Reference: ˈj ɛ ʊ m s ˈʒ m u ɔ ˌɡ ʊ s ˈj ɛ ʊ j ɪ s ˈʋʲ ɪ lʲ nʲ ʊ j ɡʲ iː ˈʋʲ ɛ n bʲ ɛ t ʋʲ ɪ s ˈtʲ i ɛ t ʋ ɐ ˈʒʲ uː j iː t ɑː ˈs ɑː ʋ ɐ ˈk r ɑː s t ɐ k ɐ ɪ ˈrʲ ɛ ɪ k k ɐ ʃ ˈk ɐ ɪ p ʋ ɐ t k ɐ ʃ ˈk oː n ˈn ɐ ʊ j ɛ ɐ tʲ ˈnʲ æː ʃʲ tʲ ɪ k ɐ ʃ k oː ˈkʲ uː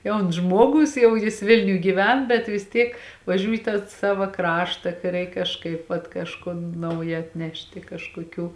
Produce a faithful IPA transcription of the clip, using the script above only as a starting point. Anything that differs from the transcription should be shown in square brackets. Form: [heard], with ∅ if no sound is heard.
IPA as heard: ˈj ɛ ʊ [n] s ˈʒ m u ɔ ˌɡ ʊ s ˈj ɛ ʊ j ɪ s ˈʋʲ ɪ lʲ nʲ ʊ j ɡʲ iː ˈʋʲ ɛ n bʲ ɛ t ʋʲ ɪ s ˈtʲ i ɛ [k] ʋ ɐ ˈʒʲ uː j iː t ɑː ˈs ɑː ʋ ɐ ˈk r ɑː [ʃ] t ɐ k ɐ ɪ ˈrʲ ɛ ɪ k k ɐ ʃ ˈk ɐ ɪ p ʋ ɐ t k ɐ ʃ ˈk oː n ˈn ɐ ʊ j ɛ ɐ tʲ ˈnʲ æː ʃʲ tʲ ɪ k ɐ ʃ k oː ˈkʲ uː